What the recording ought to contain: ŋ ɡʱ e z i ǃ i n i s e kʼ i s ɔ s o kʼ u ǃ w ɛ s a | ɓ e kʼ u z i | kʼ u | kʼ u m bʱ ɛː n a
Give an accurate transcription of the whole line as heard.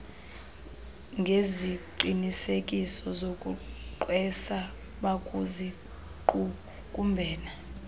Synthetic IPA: ŋ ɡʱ e z i ǃ i n i s e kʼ i s ɔ z o kʼ u ǃ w ɛ s a | ɓ a kʼ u z i | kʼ u | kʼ u m bʱ ɛː n a